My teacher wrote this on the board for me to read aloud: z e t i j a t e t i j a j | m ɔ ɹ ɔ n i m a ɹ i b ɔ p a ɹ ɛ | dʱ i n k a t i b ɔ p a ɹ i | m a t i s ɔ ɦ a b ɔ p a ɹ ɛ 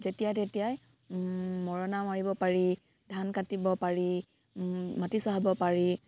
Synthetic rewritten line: z e t i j a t e t i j a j | m ɔ ɹ ɔ n a m a ɹ i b ɔ p a ɹ i | dʱ a n k a t i b ɔ p a ɹ i | m a t i s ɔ ɦ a b ɔ p a ɹ i